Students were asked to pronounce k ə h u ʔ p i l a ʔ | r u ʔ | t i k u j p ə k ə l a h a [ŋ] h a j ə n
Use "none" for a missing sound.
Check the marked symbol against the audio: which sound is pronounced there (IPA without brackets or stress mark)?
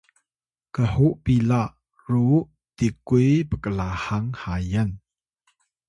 ŋ